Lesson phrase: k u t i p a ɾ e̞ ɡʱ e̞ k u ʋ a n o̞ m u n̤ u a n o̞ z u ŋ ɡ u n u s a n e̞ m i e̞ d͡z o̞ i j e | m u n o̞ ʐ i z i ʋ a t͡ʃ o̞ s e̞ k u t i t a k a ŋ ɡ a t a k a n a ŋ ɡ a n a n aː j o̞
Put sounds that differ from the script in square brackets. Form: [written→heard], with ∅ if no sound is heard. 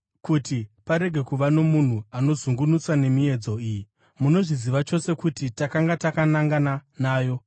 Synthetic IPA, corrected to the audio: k u t i p a ɾ e̞ ɡʱ e̞ k u ʋ a n o̞ m u n̤ u a n o̞ z u ŋ ɡ u n u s a n e̞ m i e̞ d͡z o̞ i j [e→i] | m u n o̞ ʐ i z i ʋ a t͡ʃ o̞ s e̞ k u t i t a k a ŋ ɡ a t a k a n a ŋ ɡ a n a n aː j o̞